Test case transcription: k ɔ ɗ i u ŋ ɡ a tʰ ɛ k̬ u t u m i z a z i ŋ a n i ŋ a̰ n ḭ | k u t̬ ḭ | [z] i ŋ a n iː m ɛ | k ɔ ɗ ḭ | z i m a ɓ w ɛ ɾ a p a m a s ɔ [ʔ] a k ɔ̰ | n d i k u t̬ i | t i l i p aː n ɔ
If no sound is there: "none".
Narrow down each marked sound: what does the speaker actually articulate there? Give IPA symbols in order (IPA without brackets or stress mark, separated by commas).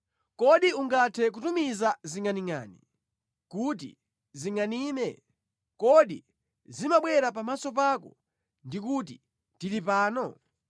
z, p